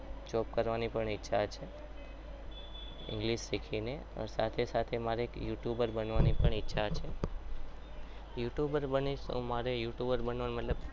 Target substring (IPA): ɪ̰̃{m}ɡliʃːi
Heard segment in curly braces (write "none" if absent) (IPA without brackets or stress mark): ŋ